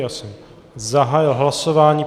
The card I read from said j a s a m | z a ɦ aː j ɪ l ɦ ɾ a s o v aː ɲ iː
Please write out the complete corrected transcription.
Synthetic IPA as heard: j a s ɛ m | z a ɦ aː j ɪ l ɦ l a s o v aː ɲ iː